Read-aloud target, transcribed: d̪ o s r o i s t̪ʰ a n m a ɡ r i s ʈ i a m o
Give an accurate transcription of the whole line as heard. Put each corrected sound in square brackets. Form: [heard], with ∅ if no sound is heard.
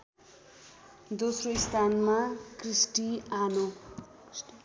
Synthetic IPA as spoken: d̪ o s r o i s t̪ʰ a n m a [k] r i s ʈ i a [n] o